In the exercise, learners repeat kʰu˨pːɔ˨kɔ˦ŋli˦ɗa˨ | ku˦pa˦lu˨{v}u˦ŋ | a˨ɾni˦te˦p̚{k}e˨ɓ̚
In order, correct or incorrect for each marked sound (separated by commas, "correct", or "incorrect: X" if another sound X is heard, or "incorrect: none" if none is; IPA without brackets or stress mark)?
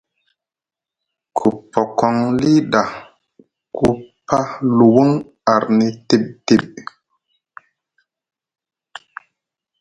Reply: incorrect: w, incorrect: t